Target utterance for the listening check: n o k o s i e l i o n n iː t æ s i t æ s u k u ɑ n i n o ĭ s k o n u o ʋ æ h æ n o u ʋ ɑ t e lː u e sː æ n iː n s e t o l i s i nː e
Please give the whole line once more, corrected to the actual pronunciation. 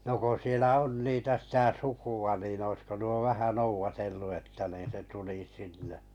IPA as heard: n o k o s i e l æ o n n iː t æ s i t æ s u k u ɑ n i n o ĭ s k o n u o ʋ æ h æ n o u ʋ ɑ t e lː u e tː æ n iː n s e t u l i s i nː e